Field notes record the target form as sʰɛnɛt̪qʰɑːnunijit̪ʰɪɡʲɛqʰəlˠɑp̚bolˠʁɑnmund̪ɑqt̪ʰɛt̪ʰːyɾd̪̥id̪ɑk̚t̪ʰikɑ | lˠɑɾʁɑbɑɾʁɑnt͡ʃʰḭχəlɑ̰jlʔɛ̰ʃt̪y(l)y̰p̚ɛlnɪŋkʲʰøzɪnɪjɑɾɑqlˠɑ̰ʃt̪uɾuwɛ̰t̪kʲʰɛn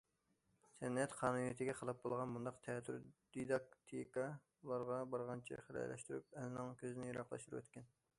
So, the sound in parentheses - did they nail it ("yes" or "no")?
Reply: no